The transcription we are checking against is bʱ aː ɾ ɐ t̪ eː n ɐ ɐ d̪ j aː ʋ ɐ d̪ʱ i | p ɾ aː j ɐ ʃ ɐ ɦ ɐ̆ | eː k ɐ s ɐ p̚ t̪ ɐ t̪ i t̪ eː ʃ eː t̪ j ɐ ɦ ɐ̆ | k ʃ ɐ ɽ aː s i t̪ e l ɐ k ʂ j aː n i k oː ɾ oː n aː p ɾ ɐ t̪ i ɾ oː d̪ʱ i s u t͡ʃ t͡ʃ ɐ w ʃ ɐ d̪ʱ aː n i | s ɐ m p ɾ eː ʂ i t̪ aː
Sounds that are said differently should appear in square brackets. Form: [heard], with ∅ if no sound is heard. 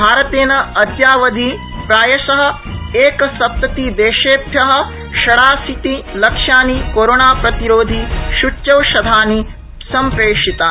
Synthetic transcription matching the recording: bʱ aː ɾ ɐ t̪ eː n ɐ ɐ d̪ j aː ʋ ɐ d̪ʱ i | p ɾ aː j ɐ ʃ ɐ ɦ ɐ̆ | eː k ɐ s ɐ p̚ t̪ ɐ t̪ i [d̪] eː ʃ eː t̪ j ɐ ɦ ɐ̆ | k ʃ ɐ ɽ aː s i t̪ [i] l ɐ k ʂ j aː n i k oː ɾ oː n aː p ɾ ɐ t̪ i ɾ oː d̪ʱ i [ʃ] u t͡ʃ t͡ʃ ɐ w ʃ ɐ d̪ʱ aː n i | s ɐ m p ɾ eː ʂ i t̪ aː

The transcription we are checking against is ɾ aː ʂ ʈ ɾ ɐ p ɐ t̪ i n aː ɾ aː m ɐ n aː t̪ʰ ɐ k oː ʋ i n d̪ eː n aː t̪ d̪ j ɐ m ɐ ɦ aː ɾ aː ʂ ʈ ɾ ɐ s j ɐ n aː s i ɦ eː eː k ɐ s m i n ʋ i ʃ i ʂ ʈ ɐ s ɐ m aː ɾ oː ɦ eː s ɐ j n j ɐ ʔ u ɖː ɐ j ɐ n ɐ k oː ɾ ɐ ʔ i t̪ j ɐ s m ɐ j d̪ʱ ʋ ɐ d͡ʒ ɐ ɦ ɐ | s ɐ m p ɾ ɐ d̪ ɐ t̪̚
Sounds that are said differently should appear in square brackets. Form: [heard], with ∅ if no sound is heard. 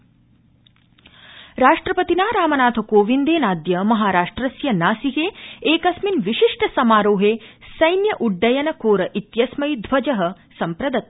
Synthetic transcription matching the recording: ɾ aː ʂ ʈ ɾ ɐ p ɐ t̪ i n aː ɾ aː m ɐ n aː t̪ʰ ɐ k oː ʋ i n d̪ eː n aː [∅] d̪ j ɐ m ɐ ɦ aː ɾ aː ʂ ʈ ɾ ɐ s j ɐ n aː s i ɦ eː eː k ɐ s m i n ʋ i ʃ i ʂ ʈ ɐ s ɐ m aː ɾ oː ɦ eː s ɐ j n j ɐ ʔ u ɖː ɐ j ɐ n ɐ k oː ɾ ɐ ʔ i t̪ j ɐ s m ɐ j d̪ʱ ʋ ɐ d͡ʒ ɐ ɦ ɐ | s ɐ m p ɾ ɐ d̪ ɐ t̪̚

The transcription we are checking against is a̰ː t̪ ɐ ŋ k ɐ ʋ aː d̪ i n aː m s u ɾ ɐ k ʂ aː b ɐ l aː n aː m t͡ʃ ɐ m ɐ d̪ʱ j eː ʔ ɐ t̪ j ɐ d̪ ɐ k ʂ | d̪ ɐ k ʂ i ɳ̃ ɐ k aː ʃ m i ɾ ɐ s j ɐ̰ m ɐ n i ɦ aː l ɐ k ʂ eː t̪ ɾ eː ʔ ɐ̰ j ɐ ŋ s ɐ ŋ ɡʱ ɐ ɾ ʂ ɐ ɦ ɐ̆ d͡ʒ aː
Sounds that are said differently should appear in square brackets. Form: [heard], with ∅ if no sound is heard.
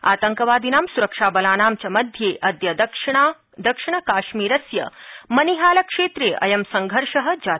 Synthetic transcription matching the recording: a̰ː t̪ ɐ ŋ k ɐ ʋ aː d̪ i n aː m s u ɾ ɐ k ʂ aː b ɐ l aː n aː m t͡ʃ ɐ m ɐ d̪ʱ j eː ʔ ɐ [d̪] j ɐ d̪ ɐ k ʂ | d̪ ɐ k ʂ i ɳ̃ ɐ k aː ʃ m [iː] ɾ ɐ s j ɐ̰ m ɐ n i ɦ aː l ɐ k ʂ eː t̪ ɾ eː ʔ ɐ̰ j ɐ [m] s ɐ ŋ ɡʱ ɐ ɾ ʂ ɐ ɦ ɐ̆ d͡ʒ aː

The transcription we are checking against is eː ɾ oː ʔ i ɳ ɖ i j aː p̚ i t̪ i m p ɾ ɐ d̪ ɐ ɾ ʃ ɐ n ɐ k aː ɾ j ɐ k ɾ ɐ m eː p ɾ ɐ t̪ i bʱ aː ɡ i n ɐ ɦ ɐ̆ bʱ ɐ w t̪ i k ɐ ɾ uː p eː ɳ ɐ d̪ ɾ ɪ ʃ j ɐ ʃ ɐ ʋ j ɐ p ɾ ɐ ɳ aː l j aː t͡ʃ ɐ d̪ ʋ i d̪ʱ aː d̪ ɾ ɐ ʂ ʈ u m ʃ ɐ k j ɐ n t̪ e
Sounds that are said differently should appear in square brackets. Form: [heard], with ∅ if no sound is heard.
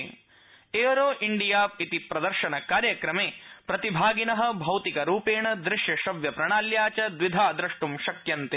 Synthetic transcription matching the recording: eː ɾ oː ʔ i ɳ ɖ i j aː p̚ i t̪ i [∅] p ɾ ɐ d̪ ɐ ɾ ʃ ɐ n ɐ k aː ɾ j ɐ k ɾ ɐ m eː p ɾ ɐ t̪ i bʱ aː ɡ i n ɐ ɦ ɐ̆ bʱ ɐ w t̪ i k ɐ ɾ uː p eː ɳ ɐ d̪ ɾ ɪ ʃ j ɐ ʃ ɐ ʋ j ɐ p ɾ ɐ ɳ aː l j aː t͡ʃ ɐ d̪ ʋ i d̪ʱ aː d̪ ɾ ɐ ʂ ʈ u m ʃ ɐ k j ɐ n t̪ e

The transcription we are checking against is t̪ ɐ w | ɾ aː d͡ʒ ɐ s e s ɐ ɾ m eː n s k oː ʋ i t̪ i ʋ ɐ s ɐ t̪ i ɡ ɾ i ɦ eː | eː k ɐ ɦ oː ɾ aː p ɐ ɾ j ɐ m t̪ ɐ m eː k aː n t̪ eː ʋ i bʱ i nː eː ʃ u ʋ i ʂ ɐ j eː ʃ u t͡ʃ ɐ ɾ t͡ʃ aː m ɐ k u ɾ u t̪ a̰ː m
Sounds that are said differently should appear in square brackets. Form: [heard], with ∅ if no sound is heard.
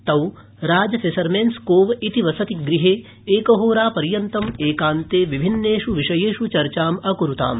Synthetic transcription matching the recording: t̪ ɐ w | ɾ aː d͡ʒ ɐ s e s ɐ ɾ m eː n s k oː ʋ i t̪ i ʋ ɐ s ɐ t̪ i ɡ ɾ i ɦ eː | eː k ɐ ɦ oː ɾ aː p ɐ ɾ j ɐ [n] t̪ ɐ m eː k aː n t̪ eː ʋ i bʱ i nː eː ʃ u ʋ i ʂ ɐ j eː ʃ u t͡ʃ ɐ ɾ t͡ʃ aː m ɐ k u ɾ u t̪ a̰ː m

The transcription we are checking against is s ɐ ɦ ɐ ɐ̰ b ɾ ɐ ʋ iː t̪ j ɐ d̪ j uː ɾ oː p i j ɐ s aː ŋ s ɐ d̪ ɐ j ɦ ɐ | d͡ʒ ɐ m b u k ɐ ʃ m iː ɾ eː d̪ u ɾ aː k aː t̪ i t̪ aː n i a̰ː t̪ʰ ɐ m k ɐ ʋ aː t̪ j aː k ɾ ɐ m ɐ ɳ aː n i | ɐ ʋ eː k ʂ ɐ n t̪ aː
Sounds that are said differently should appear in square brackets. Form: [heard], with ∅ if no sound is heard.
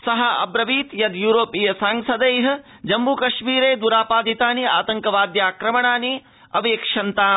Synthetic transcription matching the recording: s ɐ ɦ ɐ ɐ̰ b ɾ ɐ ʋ iː t̪ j ɐ d̪ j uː ɾ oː p i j ɐ s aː ŋ s ɐ d̪ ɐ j ɦ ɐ | d͡ʒ ɐ m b u k ɐ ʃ m iː ɾ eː d̪ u ɾ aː [p] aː [d̪] i t̪ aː n i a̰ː [t̪] ɐ [ŋ] k ɐ ʋ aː [d̪] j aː k ɾ ɐ m ɐ ɳ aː n i | ɐ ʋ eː k ʂ ɐ n t̪ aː

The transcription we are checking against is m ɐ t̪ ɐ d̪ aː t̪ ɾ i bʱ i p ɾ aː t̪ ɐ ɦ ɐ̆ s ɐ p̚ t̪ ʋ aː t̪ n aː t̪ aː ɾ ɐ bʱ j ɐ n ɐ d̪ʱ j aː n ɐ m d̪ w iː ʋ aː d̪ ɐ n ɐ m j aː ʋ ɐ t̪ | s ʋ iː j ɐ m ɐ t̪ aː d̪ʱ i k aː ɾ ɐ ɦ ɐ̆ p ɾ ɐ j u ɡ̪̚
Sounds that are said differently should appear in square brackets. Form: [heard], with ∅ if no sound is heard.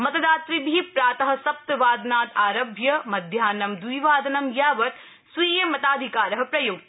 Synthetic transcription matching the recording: m ɐ t̪ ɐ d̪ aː t̪ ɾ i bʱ i p ɾ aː t̪ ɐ ɦ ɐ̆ s ɐ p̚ t̪ ʋ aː [d̪] n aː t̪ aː ɾ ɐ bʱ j ɐ [m] ɐ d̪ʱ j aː n ɐ m d̪ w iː ʋ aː d̪ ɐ n ɐ m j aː ʋ ɐ t̪ | s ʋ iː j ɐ m ɐ t̪ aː d̪ʱ i k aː ɾ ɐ ɦ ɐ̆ p ɾ ɐ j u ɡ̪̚

